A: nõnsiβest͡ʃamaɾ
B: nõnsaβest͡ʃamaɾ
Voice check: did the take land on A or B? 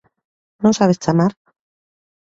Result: B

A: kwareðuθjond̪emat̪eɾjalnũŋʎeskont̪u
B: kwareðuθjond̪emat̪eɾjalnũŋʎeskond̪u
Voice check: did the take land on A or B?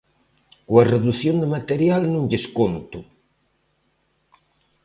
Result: A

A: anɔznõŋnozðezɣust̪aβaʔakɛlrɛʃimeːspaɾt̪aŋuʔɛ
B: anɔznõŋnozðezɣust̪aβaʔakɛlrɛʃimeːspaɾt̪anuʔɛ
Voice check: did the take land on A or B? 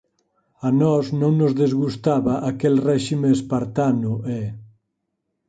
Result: B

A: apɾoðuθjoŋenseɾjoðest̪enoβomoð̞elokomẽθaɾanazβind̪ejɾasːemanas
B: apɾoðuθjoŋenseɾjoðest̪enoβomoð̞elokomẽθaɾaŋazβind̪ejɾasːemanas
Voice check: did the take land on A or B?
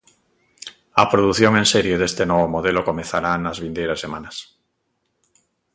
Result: A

